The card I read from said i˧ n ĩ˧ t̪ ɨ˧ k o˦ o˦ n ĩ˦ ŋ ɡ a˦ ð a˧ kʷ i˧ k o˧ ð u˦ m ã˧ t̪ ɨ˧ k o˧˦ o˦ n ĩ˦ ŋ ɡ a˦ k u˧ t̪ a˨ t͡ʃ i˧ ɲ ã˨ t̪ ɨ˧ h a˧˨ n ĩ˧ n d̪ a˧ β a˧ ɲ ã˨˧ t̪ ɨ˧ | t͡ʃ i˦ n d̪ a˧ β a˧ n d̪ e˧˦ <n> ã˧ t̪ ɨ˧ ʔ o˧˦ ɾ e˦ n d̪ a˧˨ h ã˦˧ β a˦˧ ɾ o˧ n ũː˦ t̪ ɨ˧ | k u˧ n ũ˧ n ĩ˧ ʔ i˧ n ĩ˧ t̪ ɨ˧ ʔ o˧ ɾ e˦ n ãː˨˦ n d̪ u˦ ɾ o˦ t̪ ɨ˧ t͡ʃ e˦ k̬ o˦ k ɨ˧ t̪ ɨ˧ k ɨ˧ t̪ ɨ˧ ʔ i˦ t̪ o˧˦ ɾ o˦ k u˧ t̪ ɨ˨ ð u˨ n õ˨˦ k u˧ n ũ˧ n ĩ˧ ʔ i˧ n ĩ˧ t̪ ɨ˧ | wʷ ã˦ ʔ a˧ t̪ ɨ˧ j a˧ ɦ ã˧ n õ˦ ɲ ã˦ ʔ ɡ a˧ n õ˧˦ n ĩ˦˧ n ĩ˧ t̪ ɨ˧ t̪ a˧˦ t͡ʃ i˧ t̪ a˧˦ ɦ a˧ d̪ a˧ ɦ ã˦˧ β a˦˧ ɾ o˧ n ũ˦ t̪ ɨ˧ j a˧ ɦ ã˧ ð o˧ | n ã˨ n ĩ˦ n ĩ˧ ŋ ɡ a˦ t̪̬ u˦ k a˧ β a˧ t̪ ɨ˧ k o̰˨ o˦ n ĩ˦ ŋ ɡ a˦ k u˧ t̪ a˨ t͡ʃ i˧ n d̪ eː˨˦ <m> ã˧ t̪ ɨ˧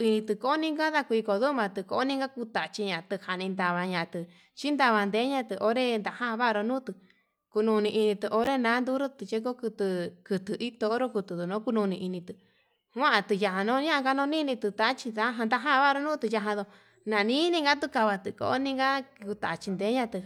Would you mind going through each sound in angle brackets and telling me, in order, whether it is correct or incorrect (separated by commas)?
incorrect, incorrect